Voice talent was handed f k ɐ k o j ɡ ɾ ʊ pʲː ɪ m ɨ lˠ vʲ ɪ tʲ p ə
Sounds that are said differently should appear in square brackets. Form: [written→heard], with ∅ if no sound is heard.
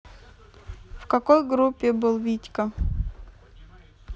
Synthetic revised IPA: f k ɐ k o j ɡ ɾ [ʊ→u] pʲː ɪ [m→b] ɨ lˠ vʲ [ɪ→i] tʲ [p→k] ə